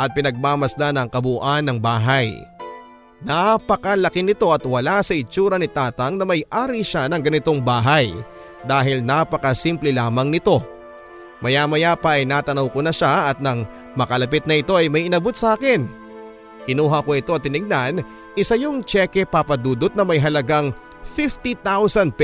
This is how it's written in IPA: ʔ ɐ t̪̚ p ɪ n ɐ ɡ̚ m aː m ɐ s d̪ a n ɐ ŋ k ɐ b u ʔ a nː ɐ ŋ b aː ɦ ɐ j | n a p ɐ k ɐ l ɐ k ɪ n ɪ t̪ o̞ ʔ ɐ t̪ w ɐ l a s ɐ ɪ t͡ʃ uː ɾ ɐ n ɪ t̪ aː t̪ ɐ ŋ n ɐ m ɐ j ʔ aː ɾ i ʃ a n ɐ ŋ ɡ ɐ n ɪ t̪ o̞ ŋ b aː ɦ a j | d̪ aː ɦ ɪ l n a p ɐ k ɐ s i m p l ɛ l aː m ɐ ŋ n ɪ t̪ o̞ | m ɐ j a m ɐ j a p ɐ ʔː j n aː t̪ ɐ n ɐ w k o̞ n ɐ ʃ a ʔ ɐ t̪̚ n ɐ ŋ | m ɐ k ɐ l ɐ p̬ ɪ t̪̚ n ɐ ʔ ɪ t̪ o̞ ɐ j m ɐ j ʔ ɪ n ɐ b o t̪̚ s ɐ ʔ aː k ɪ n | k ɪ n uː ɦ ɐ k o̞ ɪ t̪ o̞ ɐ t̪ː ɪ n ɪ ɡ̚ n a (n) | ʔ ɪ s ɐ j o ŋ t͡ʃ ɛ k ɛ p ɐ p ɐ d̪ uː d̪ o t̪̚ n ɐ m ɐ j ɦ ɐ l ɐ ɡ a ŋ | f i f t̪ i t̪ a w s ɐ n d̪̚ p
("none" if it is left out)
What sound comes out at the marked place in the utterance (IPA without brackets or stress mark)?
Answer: n